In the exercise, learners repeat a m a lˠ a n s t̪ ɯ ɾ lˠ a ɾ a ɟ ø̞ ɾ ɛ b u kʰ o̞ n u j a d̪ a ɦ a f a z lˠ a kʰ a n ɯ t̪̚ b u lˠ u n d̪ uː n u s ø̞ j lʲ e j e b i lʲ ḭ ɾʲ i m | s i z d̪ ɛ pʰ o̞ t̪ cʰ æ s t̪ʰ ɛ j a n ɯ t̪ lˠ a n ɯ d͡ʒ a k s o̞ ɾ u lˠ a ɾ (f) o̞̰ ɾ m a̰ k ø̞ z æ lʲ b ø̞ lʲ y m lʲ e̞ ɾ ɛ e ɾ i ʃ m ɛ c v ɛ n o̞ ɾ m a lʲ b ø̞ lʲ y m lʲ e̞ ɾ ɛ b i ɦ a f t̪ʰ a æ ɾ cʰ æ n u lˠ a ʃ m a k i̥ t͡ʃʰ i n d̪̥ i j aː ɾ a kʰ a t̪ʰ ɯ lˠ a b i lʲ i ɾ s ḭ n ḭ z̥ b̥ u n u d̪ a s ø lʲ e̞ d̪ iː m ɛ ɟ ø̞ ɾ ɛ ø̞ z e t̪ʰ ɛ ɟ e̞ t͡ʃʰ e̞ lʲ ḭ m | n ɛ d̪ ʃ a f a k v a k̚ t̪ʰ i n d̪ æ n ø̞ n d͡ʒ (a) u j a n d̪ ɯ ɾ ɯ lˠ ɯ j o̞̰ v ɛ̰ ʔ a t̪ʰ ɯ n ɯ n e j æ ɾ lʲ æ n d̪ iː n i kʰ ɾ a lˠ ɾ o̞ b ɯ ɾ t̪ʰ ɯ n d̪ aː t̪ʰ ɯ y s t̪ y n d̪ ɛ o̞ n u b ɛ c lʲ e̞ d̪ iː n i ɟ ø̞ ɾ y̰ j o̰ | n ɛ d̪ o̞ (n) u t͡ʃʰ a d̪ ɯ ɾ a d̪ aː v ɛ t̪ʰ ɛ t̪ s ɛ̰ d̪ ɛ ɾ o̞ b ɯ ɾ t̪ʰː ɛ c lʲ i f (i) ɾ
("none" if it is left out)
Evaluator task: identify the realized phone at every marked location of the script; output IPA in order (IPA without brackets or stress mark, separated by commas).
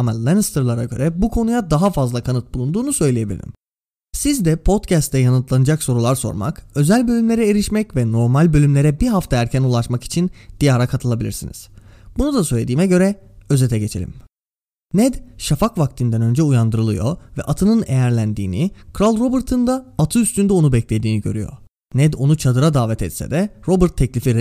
s, ɛ, n, i